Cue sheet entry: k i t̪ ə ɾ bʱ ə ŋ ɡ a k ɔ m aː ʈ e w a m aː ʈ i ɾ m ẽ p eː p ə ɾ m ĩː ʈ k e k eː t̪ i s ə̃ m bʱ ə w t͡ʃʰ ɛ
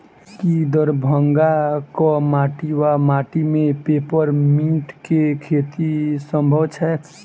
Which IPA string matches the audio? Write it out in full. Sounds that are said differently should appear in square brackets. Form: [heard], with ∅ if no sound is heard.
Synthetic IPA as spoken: k i [d̪] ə ɾ bʱ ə ŋ ɡ a k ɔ m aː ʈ [i] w a m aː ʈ i [∅] m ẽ p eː p ə ɾ m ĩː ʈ k e [kʰ] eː t̪ i s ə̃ m bʱ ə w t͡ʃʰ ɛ